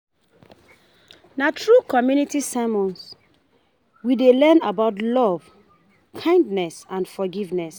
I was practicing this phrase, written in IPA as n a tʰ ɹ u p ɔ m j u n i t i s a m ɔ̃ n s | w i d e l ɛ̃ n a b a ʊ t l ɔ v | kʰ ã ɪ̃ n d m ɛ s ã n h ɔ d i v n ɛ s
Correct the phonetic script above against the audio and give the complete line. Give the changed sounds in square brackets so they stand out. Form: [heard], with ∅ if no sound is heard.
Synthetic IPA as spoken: n a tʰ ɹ u [k] ɔ m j u n i t i s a m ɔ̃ n s | w i d e l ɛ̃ n a b a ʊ t l ɔ v | kʰ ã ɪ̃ n d [n] ɛ s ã n [f] ɔ [ɡ] i v n ɛ s